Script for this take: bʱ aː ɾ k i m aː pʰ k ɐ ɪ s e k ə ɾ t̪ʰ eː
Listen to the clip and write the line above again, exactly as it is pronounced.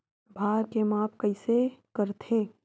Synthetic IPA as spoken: bʱ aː ɾ k e m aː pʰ k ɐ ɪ s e k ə ɾ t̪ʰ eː